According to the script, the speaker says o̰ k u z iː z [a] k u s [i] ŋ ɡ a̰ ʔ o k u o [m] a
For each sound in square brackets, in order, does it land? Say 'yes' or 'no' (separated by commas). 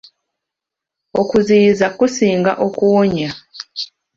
yes, no, no